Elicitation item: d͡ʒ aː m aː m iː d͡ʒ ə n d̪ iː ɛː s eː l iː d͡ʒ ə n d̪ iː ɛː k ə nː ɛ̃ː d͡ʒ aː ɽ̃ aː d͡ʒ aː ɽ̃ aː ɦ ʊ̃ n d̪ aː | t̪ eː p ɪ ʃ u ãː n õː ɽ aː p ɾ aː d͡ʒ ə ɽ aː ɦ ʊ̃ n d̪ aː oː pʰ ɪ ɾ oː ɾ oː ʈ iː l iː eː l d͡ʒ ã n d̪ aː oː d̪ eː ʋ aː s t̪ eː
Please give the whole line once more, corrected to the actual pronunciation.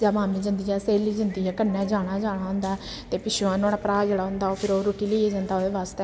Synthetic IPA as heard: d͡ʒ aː m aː m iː d͡ʒ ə n d̪ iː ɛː s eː l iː d͡ʒ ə n d̪ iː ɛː k ə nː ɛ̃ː d͡ʒ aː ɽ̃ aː d͡ʒ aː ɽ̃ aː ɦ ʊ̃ n d̪ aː | t̪ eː p ɪ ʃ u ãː n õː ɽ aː p ɾ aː d͡ʒ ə ɽ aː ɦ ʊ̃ n d̪ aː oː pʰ ɪ ɾ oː ɾ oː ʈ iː l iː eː d͡ʒ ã n d̪ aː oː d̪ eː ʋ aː s t̪ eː